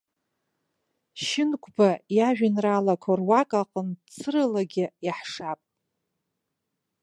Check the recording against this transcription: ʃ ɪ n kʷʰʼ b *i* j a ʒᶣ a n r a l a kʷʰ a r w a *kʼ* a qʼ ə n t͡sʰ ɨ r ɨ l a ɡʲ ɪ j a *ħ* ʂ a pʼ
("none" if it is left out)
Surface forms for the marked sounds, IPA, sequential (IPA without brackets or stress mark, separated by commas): a, kʼ, ħ